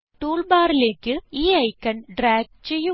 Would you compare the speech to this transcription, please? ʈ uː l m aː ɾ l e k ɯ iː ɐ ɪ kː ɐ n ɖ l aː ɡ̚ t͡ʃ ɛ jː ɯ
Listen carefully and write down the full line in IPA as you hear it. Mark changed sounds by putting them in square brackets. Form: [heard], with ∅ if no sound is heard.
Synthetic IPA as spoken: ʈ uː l [b] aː ɾ l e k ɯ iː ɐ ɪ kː ɐ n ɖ [ɾ] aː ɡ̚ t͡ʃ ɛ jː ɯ